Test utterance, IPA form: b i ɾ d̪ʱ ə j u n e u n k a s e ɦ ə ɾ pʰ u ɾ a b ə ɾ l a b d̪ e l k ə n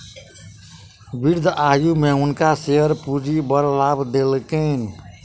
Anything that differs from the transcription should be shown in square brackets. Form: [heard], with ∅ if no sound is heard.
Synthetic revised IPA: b i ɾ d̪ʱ [a] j u [m] e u n k a s e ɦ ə ɾ [p] u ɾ [i] b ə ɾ l a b d̪ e l k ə n

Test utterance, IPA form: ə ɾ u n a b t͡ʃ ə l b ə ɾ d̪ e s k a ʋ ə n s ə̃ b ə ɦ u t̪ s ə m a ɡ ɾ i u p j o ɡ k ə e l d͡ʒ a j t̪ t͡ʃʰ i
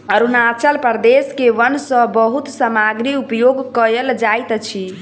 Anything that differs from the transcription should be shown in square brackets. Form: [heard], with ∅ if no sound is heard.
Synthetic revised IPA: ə ɾ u n a [∅] t͡ʃ ə l [p] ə ɾ d̪ e s k [e] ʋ ə n s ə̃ b ə ɦ u t̪ s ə m a ɡ ɾ i u p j o ɡ k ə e l d͡ʒ a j t̪ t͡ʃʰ i

